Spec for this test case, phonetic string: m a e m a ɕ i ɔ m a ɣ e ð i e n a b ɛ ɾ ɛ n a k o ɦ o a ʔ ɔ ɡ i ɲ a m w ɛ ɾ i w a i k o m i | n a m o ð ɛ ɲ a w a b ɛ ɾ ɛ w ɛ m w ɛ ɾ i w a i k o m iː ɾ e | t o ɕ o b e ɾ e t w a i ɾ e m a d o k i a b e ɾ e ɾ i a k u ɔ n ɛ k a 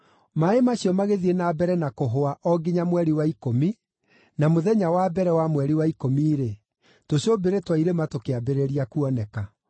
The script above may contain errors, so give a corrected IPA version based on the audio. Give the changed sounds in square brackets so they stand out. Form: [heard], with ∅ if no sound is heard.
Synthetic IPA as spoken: m a e m a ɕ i ɔ m a ɣ e ð i e n a b ɛ ɾ ɛ n a k o ɦ o a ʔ ɔ ɡ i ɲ a m w ɛ ɾ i w a i k o m i | n a m o ð ɛ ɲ a w a b ɛ ɾ ɛ w [a] m w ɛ ɾ i w a i k o m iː ɾ e | t o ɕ o b e ɾ e t w a i ɾ e m a [t] o k [e] a b e ɾ e ɾ i a k u ɔ n ɛ k a